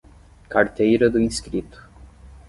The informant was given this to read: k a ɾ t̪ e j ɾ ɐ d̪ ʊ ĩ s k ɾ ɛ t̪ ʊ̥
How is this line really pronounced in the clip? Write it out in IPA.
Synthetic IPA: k a ɾ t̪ e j ɾ ɐ d̪ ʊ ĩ s k ɾ i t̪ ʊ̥